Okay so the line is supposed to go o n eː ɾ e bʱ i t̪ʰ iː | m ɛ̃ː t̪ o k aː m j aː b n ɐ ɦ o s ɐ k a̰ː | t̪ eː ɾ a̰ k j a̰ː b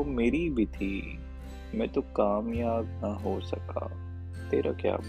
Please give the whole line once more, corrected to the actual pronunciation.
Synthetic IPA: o m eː ɾ i bʱ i t̪ʰ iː | m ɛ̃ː t̪ o k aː m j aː b n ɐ ɦ o s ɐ k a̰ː | t̪ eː ɾ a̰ k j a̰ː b